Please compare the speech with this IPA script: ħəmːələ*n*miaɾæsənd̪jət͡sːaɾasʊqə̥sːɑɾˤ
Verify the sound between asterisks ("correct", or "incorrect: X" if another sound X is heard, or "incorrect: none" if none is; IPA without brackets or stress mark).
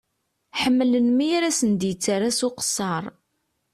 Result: correct